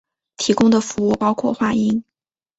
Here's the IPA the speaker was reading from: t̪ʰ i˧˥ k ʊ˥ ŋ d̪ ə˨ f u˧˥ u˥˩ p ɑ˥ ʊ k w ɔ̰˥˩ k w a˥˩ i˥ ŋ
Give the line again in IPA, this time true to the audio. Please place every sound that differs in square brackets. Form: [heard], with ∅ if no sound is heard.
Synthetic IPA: t̪ʰ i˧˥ k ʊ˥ ŋ d̪ ə˨ f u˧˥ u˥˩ p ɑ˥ ʊ [kʰ] w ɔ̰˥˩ [x] w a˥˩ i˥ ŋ